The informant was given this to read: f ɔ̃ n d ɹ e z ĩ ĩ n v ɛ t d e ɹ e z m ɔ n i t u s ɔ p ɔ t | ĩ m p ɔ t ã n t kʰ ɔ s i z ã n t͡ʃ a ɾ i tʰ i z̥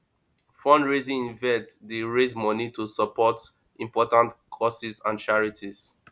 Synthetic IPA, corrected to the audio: f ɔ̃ n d ɹ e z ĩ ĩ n v ɛ t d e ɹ e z m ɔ n i t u s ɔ p ɔ t | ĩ m p ɔ t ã n t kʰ ɔ s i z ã n t͡ʃ a ɹ i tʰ i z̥